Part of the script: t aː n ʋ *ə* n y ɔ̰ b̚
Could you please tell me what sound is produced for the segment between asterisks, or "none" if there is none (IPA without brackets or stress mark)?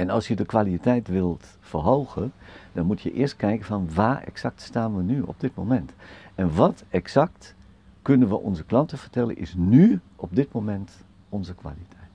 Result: ə